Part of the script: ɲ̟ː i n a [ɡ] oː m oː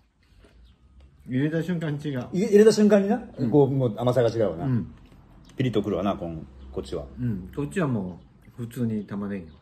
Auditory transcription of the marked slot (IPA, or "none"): k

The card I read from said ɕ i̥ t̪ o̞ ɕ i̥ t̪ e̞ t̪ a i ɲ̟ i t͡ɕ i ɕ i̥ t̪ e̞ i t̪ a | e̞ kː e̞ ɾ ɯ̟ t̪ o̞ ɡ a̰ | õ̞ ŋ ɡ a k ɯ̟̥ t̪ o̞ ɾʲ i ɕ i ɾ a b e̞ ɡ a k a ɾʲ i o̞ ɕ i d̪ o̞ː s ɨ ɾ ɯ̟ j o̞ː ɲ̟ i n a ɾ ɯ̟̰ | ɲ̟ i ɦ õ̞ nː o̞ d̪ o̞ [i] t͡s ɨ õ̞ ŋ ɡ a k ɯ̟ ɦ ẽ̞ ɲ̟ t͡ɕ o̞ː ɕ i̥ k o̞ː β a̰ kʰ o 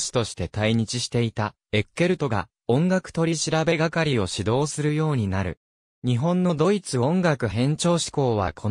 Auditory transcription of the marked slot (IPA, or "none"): i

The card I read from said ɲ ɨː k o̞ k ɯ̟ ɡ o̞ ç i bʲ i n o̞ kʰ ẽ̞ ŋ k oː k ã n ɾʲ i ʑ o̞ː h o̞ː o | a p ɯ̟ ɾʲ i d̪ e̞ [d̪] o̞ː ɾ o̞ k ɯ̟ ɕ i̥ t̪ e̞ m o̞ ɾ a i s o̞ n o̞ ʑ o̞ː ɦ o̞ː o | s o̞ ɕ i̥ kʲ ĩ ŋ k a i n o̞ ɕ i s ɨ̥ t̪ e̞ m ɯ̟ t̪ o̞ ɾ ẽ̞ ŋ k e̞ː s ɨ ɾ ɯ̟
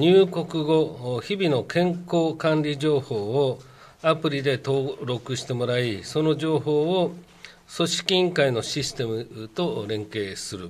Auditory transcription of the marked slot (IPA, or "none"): t̪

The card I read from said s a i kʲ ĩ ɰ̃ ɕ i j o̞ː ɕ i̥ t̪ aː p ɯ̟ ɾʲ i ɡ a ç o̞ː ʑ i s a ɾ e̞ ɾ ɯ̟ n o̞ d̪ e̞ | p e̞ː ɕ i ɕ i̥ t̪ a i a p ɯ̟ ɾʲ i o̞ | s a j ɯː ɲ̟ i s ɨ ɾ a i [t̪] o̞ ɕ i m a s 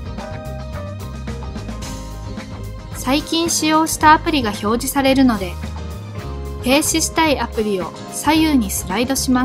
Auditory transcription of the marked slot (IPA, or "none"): d̪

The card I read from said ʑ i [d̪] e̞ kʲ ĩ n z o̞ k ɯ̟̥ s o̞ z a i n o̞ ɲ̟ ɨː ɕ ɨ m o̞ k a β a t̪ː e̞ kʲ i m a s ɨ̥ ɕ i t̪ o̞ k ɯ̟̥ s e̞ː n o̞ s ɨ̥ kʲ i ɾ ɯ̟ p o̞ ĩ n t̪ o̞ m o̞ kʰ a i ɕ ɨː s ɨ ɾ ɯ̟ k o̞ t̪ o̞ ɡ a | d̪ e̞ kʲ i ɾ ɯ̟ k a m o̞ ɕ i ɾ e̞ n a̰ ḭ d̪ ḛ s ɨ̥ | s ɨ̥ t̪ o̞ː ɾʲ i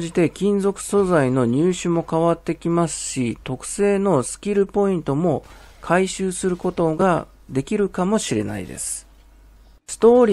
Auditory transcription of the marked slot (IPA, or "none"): t̪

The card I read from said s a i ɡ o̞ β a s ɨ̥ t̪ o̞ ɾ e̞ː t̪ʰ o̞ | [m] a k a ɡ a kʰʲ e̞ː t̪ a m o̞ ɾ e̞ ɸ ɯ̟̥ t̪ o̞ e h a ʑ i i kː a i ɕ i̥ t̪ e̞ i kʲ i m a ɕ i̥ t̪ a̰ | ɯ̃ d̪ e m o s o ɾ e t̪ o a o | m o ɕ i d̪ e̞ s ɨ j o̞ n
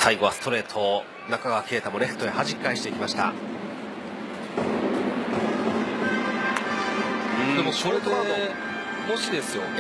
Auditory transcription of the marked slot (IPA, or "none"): n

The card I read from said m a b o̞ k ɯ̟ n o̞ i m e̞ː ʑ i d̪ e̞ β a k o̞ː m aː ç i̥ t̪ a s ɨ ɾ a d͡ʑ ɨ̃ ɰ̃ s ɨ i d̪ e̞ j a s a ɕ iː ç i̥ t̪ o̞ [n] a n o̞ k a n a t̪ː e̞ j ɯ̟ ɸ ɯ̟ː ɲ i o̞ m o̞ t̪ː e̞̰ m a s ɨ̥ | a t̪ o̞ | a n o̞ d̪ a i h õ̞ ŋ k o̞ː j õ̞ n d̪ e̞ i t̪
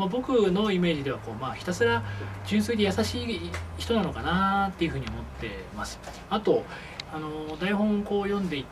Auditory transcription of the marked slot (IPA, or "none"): n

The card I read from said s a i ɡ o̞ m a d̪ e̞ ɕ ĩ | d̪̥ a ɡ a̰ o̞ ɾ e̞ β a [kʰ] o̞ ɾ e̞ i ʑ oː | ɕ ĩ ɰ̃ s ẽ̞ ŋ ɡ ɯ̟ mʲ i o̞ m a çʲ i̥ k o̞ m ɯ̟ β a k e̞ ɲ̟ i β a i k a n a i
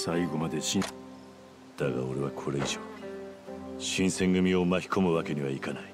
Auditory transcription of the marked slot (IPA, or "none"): kʰ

